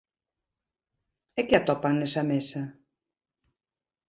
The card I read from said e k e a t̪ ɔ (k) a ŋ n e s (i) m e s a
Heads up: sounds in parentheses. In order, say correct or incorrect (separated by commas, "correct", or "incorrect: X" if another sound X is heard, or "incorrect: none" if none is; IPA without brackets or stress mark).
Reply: incorrect: p, incorrect: a